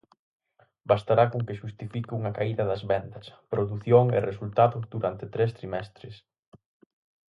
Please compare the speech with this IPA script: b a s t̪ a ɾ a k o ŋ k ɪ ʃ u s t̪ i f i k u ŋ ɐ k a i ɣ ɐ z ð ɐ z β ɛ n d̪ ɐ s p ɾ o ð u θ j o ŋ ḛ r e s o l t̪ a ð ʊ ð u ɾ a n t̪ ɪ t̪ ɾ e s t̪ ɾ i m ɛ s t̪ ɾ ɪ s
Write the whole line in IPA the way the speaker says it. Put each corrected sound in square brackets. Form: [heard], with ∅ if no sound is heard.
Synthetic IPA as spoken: b a s t̪ a ɾ a k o ŋ k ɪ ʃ u s t̪ i f i k u ŋ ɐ k a i [ð] ɐ [∅] ð ɐ z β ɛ n d̪ ɐ s p ɾ o ð u θ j o ŋ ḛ r e s [u] l t̪ a ð ʊ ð u ɾ a n t̪ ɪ t̪ ɾ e s t̪ ɾ i m ɛ s t̪ ɾ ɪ s